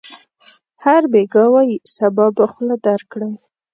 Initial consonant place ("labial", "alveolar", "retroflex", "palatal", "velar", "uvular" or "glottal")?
glottal